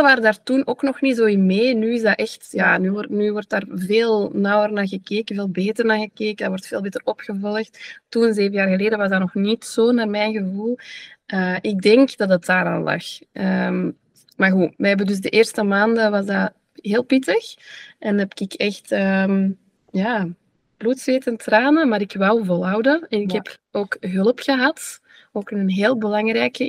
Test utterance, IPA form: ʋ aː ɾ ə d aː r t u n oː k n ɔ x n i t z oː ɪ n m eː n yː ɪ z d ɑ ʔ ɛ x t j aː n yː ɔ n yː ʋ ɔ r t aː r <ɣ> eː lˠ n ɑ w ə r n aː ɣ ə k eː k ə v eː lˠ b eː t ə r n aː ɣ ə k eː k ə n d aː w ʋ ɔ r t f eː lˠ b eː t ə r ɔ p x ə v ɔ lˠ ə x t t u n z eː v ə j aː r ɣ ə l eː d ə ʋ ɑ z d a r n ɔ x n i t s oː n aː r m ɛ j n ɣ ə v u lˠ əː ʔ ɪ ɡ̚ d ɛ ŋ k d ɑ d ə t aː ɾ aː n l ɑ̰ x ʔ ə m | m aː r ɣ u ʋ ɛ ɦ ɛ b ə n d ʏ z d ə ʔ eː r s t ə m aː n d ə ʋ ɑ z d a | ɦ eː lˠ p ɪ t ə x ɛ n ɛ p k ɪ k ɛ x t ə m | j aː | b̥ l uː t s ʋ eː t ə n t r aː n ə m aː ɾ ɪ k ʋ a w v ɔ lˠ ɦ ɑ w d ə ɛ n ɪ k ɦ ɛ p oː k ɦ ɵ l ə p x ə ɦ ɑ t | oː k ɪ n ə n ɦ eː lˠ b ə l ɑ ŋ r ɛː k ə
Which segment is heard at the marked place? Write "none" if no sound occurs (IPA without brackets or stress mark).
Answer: v